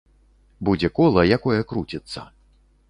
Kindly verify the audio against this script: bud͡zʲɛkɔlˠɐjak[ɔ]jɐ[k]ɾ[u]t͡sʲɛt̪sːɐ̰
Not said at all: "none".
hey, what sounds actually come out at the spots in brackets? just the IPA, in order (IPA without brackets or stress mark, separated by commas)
ɔ, k, u